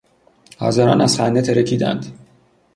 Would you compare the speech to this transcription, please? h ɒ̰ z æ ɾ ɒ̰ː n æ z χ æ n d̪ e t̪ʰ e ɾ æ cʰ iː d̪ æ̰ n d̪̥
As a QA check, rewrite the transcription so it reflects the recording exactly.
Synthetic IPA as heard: h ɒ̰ z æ ɾ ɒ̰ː n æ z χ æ n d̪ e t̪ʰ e ɾ e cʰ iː d̪ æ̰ n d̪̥

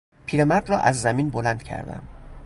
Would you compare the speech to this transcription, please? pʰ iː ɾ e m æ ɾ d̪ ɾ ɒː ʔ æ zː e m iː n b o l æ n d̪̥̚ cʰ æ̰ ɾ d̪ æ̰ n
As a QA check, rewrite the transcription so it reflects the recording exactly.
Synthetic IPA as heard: pʰ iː ɾ e m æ ɾ d̪ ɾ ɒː ʔ æ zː æ m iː n b o l æ n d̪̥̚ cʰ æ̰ ɾ d̪ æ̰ m

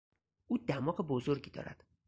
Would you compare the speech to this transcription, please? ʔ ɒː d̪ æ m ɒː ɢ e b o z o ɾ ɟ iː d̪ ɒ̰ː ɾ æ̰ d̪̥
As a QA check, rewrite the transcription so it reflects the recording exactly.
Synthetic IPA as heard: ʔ uː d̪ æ m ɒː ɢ e b o z o ɾ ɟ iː d̪ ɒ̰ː ɾ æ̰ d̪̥

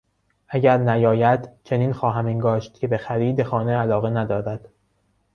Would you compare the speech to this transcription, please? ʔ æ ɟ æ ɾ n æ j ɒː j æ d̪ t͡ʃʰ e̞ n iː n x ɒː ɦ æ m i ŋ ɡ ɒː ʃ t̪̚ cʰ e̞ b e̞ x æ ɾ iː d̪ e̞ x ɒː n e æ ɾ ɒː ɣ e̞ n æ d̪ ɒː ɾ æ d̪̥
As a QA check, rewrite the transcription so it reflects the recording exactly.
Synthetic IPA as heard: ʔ æ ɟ æ ɾ n æ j ɒː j æ d̪ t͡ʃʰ e̞ n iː n x ɒː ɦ æ m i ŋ ɡ ɒː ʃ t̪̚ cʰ e̞ b e̞ x æ ɾ iː d̪ e̞ x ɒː n e æ l ɒː ɣ e̞ n æ d̪ ɒː ɾ æ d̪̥

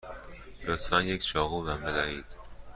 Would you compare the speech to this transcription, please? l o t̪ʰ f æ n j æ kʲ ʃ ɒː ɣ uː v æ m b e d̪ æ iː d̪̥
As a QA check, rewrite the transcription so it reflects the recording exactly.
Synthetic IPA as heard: l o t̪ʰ f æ n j e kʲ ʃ ɒː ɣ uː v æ m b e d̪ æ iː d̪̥

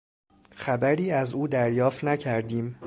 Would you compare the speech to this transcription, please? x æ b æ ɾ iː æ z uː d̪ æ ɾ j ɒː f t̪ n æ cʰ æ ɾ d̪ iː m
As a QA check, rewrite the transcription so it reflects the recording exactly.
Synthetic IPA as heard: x æ b æ ɾ iː æ z uː d̪ æ ɾ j ɒː f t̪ n æ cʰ æ ɾ d̪ iː m

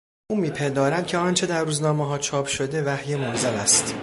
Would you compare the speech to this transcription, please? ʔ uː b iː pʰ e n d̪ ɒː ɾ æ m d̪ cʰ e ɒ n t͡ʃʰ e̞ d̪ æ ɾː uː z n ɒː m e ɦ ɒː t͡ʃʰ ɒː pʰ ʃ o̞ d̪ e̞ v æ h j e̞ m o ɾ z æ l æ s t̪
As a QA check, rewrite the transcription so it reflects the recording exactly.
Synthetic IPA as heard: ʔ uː m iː pʰ e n d̪ ɒː ɾ æ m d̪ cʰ e ɒ n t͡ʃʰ e̞ d̪ æ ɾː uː z n ɒː m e ɦ ɒː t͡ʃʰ ɒː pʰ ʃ o̞ d̪ e̞ v æ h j e̞ m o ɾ z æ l æ s t̪

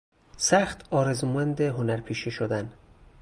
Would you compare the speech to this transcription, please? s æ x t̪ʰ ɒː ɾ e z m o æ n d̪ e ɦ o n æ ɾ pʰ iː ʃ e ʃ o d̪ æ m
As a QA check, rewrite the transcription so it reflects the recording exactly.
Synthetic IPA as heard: s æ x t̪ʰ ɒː ɾ e z m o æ n d̪ e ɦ o n æ ɾ pʰ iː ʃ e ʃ o d̪ æ n

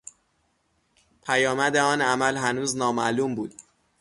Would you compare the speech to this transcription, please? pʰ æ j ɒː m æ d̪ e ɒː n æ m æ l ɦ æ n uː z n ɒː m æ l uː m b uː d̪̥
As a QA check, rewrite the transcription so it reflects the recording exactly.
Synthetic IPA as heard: pʰ æ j ɒː m æ d̪ e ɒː n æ m æ l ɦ æ n uː z n ɒː m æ l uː m b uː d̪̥

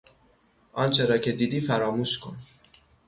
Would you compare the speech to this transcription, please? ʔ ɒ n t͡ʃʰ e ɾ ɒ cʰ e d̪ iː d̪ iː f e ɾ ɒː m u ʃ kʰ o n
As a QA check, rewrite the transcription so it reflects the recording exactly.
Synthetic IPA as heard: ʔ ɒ n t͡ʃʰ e ɾ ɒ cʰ e d̪ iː d̪ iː f æ ɾ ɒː m u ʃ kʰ o n

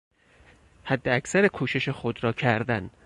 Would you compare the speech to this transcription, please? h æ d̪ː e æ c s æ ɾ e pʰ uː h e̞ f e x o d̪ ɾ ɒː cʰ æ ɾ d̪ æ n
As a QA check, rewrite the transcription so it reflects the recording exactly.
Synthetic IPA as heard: h æ d̪ː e æ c s æ ɾ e kʰ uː ʃ e̞ ʃ e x o d̪ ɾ ɒː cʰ æ ɾ d̪ æ n

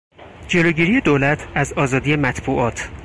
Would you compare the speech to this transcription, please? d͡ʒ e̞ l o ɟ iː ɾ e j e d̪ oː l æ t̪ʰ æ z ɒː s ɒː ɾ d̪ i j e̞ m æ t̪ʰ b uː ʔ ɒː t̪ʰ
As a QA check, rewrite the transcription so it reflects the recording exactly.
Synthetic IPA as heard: d͡ʒ e̞ l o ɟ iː ɾ i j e d̪ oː l æ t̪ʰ æ z ɒː z ɒː d̪ i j e̞ m æ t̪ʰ b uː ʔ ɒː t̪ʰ

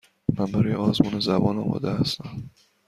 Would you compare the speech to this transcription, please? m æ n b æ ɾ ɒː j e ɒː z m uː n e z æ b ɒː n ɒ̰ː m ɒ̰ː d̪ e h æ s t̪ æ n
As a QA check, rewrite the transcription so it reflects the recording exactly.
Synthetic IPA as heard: m æ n b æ ɾ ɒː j e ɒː z m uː n e z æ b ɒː n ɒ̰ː m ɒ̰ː d̪ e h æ s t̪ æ m

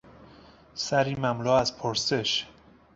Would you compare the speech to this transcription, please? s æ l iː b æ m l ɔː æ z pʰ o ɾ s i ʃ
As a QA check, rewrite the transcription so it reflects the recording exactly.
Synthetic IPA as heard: s æ ɾ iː m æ m l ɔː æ z pʰ o ɾ s e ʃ

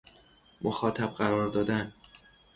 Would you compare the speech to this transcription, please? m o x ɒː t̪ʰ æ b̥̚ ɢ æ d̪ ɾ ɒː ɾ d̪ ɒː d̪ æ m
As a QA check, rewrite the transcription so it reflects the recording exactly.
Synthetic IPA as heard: m o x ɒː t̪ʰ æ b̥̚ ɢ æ ɾ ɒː ɾ d̪ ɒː d̪ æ n

